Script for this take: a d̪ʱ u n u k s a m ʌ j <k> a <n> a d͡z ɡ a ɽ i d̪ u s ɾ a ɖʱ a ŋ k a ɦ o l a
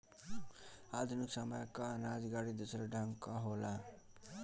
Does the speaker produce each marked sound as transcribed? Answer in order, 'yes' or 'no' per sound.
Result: yes, yes

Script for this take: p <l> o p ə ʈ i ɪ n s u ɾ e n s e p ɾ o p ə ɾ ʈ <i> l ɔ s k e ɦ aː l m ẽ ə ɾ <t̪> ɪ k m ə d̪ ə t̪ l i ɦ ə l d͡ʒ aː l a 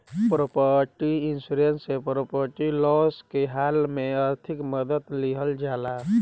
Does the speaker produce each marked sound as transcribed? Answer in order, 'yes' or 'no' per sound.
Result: no, yes, no

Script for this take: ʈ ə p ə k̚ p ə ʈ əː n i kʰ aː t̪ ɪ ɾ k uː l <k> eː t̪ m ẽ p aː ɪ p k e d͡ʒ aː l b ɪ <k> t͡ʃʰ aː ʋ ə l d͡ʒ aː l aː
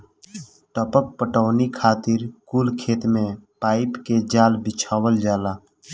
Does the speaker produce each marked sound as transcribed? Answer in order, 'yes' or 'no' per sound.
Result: no, no

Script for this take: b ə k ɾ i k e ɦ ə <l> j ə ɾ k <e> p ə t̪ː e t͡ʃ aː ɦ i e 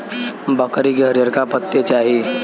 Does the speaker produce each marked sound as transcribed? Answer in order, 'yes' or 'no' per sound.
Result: no, no

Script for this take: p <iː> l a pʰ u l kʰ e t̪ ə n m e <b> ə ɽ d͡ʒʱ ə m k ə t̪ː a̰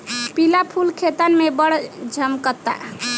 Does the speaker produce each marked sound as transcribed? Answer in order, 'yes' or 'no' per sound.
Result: no, yes

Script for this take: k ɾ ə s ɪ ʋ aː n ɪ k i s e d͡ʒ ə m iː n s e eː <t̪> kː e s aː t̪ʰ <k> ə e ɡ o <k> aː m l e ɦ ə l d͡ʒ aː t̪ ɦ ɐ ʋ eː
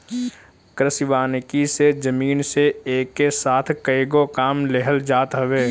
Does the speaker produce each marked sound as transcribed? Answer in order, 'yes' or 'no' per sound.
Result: no, yes, yes

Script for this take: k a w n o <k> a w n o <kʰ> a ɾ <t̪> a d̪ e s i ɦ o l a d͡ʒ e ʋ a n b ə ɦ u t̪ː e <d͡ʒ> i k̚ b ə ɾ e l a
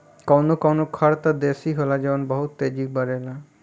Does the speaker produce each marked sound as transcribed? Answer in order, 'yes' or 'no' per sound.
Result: yes, yes, yes, yes

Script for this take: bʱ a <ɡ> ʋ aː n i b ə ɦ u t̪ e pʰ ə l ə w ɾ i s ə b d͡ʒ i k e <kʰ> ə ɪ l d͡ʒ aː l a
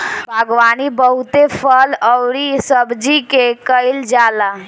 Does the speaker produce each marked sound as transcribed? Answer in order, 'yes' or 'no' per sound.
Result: yes, no

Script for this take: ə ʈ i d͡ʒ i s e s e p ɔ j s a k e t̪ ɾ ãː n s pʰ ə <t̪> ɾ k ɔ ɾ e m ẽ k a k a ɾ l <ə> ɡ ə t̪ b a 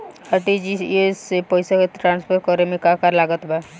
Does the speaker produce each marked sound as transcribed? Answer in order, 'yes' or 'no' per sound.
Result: no, no

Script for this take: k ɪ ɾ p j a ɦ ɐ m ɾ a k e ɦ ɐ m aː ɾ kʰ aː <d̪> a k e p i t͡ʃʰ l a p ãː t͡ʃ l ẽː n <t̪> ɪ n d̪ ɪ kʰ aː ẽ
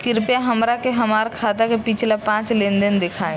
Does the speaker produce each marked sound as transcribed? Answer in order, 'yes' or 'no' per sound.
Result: no, no

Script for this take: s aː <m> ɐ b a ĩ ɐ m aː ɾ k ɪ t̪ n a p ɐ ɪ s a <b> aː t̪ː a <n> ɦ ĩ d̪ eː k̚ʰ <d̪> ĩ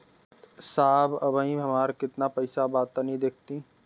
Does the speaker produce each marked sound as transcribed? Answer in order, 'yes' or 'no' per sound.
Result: no, yes, yes, no

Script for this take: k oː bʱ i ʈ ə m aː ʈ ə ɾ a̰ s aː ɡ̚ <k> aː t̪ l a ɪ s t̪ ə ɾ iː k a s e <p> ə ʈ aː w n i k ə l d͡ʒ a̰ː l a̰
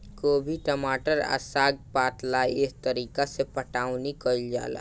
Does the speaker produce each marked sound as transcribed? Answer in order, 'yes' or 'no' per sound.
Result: no, yes

